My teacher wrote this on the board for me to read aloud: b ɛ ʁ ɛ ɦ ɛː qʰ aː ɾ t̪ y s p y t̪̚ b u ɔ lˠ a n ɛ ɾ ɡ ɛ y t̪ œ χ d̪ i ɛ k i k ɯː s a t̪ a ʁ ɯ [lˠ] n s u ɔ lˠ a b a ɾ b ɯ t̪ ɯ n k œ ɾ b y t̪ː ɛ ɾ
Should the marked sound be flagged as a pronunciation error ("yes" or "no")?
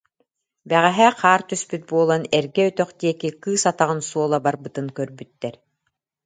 yes